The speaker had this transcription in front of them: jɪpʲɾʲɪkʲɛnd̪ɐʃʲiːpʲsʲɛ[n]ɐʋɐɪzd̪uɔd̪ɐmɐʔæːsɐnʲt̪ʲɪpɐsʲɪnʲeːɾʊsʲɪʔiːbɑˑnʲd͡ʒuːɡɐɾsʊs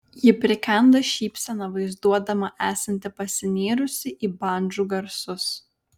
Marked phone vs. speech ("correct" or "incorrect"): correct